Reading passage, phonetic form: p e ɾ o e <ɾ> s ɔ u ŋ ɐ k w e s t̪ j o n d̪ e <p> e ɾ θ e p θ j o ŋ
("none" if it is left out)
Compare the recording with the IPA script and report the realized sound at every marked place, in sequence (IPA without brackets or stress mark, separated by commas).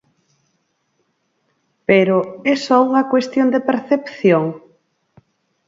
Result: none, p